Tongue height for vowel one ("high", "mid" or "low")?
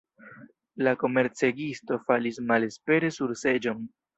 low